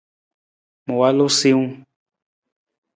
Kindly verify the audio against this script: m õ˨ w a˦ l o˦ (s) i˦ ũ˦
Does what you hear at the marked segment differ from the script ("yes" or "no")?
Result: no